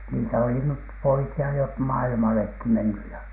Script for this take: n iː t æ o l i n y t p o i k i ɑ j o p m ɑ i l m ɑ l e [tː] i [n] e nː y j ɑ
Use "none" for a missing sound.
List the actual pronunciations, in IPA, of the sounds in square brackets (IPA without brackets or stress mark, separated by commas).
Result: kː, m